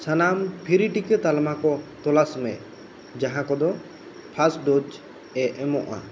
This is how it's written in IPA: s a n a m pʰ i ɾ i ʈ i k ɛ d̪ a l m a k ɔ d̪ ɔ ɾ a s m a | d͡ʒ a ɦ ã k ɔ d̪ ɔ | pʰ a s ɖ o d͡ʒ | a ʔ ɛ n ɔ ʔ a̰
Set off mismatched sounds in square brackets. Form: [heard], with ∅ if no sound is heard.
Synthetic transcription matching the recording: s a n a m pʰ i ɾ i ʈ i k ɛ [t̪] a l m a k ɔ [t̪] ɔ [l] a s m [ɛ] | d͡ʒ a ɦ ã k ɔ d̪ ɔ | pʰ a s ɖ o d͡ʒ | [ɛ] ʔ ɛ [m] ɔ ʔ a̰